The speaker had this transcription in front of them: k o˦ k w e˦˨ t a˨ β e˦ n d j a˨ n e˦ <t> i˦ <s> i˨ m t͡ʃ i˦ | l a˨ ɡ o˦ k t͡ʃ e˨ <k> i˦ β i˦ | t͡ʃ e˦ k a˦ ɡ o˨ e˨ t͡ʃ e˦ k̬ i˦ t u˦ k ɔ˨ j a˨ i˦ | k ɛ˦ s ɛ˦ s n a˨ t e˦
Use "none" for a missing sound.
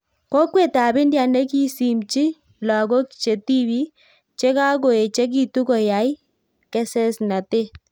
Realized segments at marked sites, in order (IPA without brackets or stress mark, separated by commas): k, s, t